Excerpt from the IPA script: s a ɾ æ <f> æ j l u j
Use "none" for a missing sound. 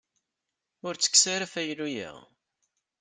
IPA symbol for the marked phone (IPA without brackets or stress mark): f